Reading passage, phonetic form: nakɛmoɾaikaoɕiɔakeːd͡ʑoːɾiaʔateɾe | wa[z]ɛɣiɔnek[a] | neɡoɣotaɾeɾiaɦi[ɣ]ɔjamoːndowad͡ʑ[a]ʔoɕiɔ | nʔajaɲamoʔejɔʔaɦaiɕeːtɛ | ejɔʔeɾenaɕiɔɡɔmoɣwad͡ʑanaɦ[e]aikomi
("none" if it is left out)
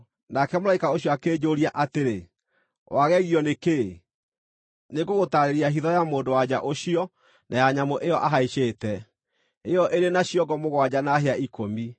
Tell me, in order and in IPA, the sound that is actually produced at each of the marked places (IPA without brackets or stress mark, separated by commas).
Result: ɣ, e, ð, a, e